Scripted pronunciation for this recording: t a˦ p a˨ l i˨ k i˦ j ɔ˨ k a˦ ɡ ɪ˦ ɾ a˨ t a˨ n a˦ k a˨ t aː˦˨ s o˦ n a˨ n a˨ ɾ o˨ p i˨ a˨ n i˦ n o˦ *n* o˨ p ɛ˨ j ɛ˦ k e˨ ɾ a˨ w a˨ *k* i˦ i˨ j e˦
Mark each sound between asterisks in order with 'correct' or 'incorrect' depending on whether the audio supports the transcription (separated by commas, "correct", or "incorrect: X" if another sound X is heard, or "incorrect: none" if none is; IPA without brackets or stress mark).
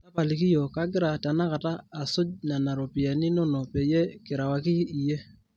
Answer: correct, correct